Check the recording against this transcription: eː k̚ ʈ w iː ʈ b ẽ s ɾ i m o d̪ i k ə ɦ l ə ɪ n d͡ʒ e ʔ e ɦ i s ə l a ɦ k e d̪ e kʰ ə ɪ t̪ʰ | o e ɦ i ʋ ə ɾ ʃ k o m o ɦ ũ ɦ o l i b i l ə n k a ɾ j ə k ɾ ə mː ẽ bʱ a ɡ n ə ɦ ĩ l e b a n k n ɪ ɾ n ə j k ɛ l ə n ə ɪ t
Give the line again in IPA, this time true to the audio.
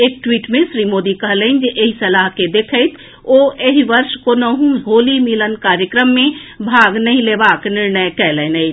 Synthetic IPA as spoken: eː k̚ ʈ w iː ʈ m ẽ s ɾ i m o d̪ i k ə ɦ l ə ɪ n d͡ʒ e ʔ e ɦ i s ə l a ɦ k e d̪ e kʰ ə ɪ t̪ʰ | o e ɦ i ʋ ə ɾ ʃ k o n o ɦ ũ ɦ o l i m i l ə n k a ɾ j ə k ɾ ə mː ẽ bʱ a ɡ n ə ɦ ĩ l e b a k n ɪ ɾ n ə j k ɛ l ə n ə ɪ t